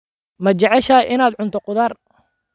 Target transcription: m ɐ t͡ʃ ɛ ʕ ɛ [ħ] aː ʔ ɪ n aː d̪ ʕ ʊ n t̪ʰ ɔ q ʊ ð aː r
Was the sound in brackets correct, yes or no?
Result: no